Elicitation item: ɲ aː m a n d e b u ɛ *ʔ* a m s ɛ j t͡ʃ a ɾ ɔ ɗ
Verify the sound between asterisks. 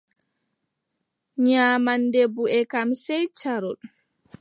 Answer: incorrect: k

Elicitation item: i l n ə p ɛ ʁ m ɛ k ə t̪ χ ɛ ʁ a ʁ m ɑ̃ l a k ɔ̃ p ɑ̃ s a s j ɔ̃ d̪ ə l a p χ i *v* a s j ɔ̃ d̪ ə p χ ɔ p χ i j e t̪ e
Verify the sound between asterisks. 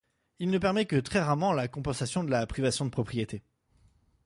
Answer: correct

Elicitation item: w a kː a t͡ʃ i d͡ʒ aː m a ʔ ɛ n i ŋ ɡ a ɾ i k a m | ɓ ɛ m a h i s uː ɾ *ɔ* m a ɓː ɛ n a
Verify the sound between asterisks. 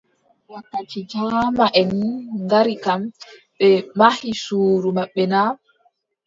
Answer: incorrect: u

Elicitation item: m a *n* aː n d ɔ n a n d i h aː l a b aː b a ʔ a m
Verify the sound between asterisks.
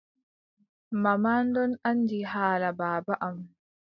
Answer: incorrect: m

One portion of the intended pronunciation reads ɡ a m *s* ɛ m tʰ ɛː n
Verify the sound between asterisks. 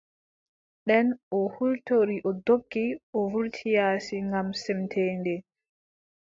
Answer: correct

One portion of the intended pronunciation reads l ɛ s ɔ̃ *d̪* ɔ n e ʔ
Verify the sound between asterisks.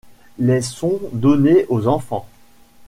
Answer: correct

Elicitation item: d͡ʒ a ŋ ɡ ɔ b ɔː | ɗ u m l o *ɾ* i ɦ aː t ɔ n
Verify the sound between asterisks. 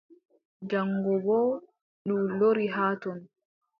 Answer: correct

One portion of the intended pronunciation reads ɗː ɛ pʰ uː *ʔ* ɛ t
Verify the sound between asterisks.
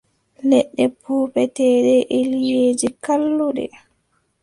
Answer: incorrect: p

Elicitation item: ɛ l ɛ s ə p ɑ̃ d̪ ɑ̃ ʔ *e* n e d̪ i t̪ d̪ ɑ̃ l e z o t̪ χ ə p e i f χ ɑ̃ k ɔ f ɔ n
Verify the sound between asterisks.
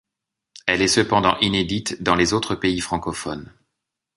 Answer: incorrect: i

